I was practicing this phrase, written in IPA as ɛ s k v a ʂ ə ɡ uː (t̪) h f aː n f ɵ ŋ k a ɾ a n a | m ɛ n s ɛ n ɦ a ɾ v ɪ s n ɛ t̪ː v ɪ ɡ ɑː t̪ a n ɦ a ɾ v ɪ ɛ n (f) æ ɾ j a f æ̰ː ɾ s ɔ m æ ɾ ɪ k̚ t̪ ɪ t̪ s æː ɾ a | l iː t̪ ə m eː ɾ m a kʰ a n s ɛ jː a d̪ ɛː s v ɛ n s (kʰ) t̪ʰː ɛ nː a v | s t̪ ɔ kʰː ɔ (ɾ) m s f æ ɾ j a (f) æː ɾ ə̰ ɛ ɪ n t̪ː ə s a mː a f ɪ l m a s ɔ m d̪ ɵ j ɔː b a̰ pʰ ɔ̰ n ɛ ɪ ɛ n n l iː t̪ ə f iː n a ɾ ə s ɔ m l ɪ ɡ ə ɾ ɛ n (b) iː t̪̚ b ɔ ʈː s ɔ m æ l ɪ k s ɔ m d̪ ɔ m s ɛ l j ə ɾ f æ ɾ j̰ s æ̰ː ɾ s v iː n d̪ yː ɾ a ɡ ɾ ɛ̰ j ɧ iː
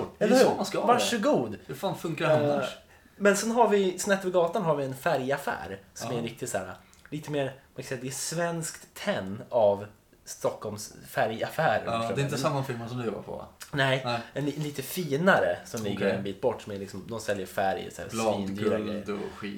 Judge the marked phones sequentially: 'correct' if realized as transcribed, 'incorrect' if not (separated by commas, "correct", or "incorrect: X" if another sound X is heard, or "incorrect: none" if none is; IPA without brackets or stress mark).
incorrect: d̪, correct, incorrect: k, incorrect: l, correct, correct